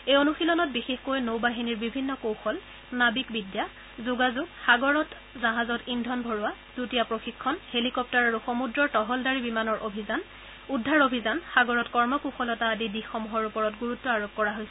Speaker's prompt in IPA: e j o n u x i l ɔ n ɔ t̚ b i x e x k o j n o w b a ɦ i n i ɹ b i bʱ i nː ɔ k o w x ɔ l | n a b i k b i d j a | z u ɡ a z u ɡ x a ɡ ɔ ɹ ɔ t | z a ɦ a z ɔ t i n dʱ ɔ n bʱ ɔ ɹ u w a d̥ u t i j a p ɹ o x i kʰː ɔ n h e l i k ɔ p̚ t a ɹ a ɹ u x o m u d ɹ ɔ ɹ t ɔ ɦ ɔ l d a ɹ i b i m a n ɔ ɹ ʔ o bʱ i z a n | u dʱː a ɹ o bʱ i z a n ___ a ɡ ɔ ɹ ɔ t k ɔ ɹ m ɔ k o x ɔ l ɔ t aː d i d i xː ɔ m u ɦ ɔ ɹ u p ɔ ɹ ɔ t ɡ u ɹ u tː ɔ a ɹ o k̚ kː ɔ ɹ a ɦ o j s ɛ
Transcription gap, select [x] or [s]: x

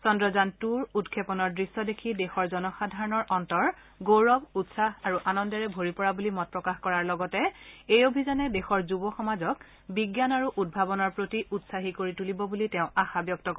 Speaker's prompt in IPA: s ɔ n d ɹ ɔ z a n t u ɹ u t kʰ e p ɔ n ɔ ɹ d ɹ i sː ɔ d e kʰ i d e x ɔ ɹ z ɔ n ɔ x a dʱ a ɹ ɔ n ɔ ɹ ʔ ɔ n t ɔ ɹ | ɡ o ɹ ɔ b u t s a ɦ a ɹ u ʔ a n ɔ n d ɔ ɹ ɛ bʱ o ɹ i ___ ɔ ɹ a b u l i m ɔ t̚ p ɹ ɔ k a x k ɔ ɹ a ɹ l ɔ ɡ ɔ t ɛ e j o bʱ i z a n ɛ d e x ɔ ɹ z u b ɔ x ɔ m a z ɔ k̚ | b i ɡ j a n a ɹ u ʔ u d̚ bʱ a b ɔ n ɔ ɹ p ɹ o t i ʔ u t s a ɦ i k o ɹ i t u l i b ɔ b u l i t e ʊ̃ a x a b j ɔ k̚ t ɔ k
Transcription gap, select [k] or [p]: p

